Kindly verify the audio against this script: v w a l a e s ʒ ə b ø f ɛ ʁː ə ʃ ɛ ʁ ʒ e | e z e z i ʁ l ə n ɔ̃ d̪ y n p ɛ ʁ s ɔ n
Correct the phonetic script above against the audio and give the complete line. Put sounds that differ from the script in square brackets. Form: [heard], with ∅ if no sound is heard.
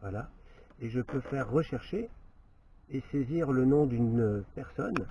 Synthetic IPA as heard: v w a l a e [∅] ʒ ə [p] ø f ɛ ʁː ə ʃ ɛ ʁ [ʃ] e | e [s] e z i ʁ l ə n ɔ̃ d̪ y n p ɛ ʁ s ɔ n